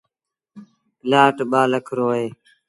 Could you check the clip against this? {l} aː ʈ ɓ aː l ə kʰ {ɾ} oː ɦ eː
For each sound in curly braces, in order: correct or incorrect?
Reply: correct, correct

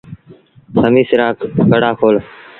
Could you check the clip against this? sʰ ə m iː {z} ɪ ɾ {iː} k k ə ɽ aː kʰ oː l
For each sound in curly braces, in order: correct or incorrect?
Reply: incorrect: s, incorrect: aː

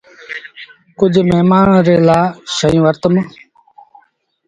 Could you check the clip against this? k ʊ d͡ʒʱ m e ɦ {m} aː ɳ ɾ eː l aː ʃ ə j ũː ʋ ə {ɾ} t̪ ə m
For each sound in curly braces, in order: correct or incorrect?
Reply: correct, correct

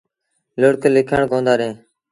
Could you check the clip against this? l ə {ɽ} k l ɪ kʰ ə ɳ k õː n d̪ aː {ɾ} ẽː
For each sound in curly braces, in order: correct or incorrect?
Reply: correct, correct

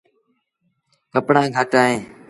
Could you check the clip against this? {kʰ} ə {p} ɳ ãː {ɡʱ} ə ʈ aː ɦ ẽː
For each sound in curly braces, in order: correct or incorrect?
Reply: incorrect: k, correct, correct

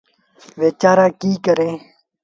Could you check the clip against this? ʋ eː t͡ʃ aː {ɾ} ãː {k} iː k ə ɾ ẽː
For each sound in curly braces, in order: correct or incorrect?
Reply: correct, correct

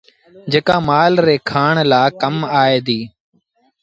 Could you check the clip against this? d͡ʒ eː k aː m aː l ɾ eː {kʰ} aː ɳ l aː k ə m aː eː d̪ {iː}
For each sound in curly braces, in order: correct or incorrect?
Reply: correct, correct

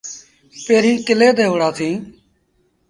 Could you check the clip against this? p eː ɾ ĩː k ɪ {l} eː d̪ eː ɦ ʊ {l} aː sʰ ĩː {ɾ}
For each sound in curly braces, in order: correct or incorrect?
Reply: correct, incorrect: ɽ, incorrect: none

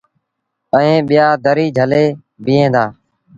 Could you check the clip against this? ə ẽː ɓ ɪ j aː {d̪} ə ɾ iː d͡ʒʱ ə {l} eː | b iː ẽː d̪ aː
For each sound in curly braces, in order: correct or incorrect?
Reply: correct, correct

